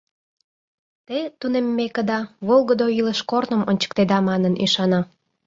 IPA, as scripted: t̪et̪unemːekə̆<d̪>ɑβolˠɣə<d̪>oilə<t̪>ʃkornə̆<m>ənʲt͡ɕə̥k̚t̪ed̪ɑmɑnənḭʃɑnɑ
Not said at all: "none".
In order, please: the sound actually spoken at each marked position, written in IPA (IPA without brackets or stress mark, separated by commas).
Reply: d̪, d̪, none, m